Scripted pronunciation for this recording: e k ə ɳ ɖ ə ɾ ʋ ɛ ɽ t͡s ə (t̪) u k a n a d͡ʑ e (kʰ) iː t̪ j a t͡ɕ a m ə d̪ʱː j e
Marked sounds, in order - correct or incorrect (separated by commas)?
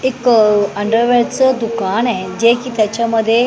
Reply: incorrect, incorrect